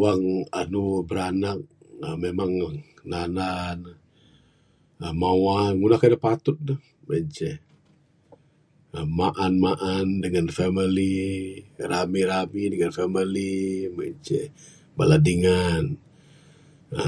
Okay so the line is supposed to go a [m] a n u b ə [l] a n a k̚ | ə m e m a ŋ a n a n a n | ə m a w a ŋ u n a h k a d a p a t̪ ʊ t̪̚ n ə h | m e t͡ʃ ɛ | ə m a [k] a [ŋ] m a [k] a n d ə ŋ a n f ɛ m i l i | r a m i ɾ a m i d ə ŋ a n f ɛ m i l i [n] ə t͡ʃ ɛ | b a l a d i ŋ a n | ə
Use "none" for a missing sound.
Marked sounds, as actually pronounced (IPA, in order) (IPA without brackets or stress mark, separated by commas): ŋ, ɾ, ʔ, n, ʔ, m